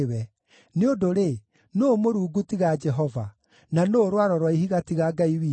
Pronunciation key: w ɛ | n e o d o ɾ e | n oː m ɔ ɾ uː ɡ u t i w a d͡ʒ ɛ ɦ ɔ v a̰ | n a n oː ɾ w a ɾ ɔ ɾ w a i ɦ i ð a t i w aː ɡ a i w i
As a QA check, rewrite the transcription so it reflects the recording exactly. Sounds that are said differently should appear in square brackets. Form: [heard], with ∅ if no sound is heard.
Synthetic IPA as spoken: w ɛ | n e o d o ɾ e | n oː m [o] ɾ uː ɡ u t i [ɣ] a d͡ʒ ɛ ɦ ɔ v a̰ | n a n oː ɾ w a ɾ ɔ ɾ w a i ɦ i [ɣ] a t i [ɣ] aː ɡ a i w i